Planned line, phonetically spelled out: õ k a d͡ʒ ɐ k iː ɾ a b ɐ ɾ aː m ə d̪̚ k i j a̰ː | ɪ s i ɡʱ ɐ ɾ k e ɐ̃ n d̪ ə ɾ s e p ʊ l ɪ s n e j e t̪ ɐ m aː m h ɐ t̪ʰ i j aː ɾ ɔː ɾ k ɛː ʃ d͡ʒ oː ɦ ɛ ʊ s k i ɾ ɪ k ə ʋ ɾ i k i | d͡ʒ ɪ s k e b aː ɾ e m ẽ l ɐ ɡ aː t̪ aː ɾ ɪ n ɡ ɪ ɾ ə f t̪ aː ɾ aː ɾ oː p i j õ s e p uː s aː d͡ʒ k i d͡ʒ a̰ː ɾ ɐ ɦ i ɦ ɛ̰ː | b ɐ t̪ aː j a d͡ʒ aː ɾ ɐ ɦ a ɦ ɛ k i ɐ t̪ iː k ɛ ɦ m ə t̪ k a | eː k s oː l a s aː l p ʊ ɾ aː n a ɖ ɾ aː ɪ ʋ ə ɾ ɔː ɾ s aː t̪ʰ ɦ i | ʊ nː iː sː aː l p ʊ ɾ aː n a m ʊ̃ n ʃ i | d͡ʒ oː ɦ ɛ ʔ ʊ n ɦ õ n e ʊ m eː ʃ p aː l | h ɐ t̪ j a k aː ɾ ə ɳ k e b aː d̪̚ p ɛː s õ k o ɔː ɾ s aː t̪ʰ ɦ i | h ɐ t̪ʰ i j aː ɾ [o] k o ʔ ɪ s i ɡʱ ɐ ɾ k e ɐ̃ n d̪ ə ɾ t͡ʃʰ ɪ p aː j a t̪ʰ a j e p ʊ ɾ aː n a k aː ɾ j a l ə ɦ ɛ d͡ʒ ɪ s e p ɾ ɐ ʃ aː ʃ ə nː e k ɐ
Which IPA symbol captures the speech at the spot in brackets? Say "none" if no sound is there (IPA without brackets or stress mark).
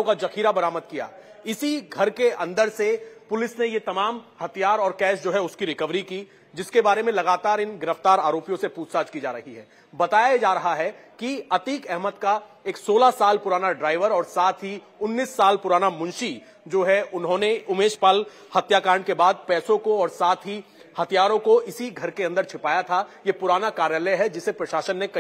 õ